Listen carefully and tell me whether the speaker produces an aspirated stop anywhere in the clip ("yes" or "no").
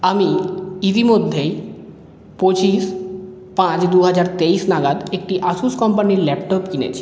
yes